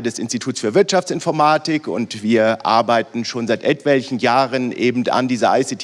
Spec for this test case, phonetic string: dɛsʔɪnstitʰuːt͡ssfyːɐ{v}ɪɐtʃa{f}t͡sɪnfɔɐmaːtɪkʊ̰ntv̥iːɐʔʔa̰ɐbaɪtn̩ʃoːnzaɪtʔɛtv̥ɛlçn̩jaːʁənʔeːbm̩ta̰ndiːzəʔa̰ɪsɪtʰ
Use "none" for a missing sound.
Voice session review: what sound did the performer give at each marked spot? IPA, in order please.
v, f

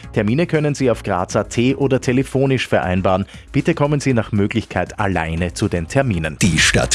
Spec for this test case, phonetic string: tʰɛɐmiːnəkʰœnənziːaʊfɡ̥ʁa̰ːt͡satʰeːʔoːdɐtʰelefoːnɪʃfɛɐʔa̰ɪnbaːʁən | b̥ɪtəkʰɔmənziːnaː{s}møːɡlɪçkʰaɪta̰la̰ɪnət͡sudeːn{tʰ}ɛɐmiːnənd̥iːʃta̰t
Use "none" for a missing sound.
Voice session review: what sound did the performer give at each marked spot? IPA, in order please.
χ, tʰ

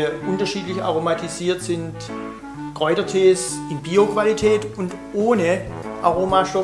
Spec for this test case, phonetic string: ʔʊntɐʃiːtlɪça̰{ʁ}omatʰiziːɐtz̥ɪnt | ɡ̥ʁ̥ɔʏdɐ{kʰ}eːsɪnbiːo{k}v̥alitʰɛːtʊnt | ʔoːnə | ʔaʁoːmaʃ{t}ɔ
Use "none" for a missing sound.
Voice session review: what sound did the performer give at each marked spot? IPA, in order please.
ʁ, tʰ, k, t

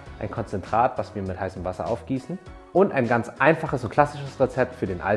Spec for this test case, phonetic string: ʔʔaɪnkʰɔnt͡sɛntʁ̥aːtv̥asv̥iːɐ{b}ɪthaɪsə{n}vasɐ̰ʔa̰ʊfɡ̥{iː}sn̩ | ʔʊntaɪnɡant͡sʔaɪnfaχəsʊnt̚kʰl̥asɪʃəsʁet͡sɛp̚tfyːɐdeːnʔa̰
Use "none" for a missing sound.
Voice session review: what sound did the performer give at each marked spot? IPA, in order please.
m, m, iː

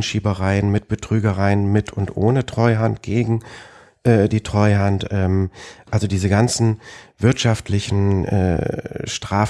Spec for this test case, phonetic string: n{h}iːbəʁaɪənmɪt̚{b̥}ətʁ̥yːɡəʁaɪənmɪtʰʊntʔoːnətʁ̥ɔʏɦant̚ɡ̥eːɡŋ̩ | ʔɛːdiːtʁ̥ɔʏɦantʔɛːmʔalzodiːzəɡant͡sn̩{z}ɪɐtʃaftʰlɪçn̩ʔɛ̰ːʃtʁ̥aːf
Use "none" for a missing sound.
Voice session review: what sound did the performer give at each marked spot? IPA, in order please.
ʃ, b̥, v

